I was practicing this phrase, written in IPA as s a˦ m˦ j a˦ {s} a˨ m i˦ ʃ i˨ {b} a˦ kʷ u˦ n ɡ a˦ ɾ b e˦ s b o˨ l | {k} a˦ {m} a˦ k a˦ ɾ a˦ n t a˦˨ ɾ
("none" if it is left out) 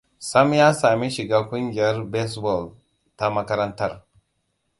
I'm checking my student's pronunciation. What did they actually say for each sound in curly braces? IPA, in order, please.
s, ɡ, t, m

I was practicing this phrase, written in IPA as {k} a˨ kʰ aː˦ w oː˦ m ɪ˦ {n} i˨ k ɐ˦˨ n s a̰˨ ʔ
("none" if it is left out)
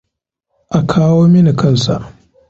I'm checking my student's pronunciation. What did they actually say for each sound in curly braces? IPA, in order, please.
ʔ, n

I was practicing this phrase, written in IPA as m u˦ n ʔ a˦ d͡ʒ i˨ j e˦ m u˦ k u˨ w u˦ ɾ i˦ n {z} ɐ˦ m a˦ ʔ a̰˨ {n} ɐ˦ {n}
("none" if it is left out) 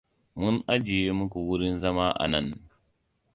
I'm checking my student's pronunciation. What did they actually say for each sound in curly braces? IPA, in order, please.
z, n, n

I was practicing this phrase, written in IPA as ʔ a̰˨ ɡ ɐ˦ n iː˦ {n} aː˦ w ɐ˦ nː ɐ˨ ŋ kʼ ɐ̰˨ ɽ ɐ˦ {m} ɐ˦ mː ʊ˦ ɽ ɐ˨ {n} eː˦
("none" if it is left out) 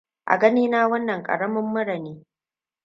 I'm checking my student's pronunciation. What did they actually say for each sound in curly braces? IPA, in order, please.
n, m, n

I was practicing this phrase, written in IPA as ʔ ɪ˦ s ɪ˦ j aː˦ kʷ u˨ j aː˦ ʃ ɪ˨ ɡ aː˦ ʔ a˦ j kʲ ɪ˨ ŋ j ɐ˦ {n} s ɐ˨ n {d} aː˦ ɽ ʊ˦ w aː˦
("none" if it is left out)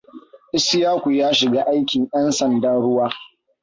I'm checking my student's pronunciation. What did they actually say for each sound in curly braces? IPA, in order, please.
n, d

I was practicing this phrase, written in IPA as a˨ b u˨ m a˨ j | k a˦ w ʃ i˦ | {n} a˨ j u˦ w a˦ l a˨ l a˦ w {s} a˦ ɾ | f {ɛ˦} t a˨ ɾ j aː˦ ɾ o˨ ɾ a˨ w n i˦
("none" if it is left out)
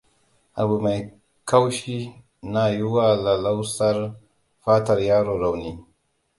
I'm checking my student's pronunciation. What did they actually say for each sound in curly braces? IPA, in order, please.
n, s, a˦

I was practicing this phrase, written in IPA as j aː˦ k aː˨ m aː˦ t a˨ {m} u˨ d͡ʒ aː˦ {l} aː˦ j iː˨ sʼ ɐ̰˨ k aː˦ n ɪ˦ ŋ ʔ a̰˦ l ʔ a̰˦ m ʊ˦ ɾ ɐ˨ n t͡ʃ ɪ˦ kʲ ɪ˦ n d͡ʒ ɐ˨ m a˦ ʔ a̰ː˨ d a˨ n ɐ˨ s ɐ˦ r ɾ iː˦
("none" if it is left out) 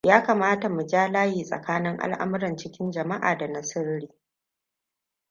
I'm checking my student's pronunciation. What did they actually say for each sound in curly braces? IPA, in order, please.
m, l

